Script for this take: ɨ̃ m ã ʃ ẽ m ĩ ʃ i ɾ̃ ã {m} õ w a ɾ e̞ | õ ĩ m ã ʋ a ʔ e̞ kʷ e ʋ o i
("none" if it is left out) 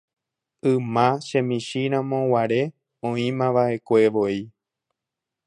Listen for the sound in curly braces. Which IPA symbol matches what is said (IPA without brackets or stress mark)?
m